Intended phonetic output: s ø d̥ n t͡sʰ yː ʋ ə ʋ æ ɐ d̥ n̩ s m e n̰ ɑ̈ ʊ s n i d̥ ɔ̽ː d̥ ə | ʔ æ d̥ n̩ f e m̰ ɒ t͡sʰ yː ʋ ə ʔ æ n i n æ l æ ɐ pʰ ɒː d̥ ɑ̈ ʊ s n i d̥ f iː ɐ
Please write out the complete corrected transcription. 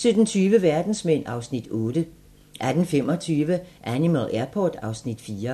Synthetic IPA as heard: s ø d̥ n t͡sʰ yː ʋ ə ʋ æ ɐ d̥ n̩ s m e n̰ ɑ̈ ʊ s n i d̥ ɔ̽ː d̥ ə | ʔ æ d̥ n̩ f e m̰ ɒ t͡sʰ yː ʋ ə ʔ æ n i m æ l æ ɐ pʰ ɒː d̥ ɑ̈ ʊ s n i d̥ f iː ɐ